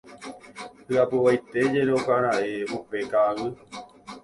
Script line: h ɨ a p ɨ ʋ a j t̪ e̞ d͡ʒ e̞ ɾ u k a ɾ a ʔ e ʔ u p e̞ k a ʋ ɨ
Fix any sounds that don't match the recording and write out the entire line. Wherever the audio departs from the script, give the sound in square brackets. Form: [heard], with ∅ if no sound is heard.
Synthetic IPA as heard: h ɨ a p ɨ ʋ a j t̪ e̞ d͡ʒ e̞ ɾ [o] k a ɾ a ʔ e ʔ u p e̞ k a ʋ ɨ